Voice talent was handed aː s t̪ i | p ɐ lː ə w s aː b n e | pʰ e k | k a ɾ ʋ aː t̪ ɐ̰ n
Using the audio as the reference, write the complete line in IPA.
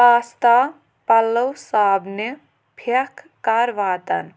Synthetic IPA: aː s t̪ a | p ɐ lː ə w s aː b n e | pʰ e k | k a ɾ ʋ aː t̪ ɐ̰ n